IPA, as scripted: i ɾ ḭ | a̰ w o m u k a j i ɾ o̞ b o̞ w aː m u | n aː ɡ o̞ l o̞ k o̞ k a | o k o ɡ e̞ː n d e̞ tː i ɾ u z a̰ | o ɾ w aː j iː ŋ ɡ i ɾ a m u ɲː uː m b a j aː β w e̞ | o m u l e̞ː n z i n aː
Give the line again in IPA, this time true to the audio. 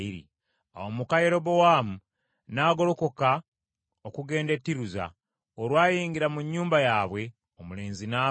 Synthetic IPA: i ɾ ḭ | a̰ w o m u k a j e ɾ o̞ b o̞ w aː m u | n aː ɡ o̞ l o̞ k o̞ k a | o k u ɡ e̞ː n d e̞ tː i ɾ u z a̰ | o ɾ w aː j iː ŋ ɡ i ɾ a m u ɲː uː m b a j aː β w e̞ | o m u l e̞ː n z i n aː